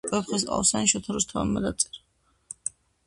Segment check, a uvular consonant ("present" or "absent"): present